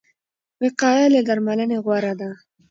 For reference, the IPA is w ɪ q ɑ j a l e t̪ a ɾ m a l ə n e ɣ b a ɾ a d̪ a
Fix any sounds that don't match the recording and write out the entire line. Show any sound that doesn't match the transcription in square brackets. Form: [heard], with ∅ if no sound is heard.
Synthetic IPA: w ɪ q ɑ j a l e [d̪] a ɾ m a l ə n e ɣ [w] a ɾ a d̪ a